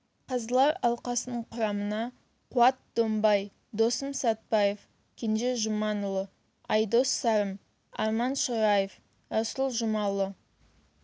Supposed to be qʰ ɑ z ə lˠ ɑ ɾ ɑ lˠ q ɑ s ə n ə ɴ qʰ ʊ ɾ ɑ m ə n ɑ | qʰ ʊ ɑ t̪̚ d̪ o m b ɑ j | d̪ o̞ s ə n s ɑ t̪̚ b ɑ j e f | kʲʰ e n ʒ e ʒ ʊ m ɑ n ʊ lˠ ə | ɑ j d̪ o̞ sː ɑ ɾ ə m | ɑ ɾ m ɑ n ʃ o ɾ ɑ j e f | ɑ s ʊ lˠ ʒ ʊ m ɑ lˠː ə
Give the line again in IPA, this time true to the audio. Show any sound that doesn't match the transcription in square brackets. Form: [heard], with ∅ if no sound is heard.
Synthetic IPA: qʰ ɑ z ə lˠ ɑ ɾ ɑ lˠ q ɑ s ə n ə ɴ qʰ ʊ ɾ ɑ m ə n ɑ | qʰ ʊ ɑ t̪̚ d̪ o m b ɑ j | d̪ o̞ s ə [m] s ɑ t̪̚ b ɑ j e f | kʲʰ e n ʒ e ʒ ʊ m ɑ n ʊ lˠ ə | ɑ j d̪ o̞ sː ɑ ɾ ə m | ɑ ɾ m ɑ n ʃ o ɾ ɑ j e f | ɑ s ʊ lˠ ʒ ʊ m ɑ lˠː ə